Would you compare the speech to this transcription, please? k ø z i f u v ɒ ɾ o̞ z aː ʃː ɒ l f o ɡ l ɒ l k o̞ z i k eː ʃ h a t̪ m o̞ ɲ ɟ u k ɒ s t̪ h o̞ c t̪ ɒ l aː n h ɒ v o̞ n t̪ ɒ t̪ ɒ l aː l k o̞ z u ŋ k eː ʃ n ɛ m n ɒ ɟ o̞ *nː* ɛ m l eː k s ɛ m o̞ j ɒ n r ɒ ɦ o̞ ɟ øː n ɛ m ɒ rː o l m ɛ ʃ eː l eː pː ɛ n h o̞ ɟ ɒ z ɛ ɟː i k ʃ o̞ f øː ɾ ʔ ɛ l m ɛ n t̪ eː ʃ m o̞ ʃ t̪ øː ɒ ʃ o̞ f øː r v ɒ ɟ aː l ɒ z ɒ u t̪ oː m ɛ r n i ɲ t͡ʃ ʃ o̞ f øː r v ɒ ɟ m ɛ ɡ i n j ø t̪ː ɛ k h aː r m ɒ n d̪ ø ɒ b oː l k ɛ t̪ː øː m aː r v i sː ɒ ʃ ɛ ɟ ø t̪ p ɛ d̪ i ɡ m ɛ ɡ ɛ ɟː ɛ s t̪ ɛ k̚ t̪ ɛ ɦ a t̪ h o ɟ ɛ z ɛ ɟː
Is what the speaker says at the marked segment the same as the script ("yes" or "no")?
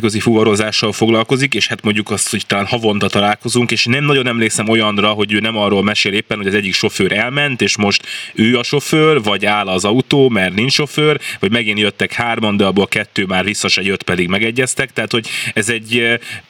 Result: no